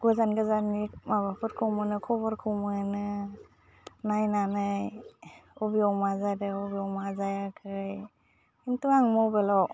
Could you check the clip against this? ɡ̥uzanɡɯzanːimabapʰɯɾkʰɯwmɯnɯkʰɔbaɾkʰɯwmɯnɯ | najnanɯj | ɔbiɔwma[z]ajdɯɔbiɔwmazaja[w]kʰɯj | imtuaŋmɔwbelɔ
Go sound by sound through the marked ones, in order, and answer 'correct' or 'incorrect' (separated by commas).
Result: correct, incorrect